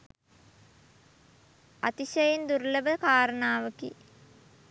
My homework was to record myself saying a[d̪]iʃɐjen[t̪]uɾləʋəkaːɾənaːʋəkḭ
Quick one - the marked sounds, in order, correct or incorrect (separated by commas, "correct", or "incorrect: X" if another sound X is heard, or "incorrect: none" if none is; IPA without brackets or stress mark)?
incorrect: t̪, incorrect: d̪